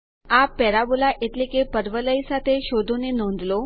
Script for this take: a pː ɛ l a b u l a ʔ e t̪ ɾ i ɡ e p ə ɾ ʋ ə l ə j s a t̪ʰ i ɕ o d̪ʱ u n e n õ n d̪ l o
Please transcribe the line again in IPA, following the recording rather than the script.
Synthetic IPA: a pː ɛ ɾ a b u l a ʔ e t̪ l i k e p ə ɾ ʋ ə l ə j s a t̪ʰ e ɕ o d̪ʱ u n e n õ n d̪ l o